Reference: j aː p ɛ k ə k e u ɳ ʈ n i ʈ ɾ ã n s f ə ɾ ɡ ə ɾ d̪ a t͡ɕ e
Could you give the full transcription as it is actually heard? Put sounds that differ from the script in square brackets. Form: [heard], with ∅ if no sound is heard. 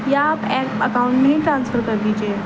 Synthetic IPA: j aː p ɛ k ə k [a] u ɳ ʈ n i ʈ ɾ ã n s f ə ɾ [k] ə ɾ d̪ [i] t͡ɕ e